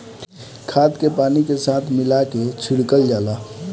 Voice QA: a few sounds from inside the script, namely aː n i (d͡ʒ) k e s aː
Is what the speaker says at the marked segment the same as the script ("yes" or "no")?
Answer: no